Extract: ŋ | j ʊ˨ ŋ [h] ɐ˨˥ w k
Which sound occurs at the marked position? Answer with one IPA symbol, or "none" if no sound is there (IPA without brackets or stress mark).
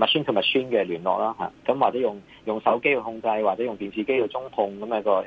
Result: s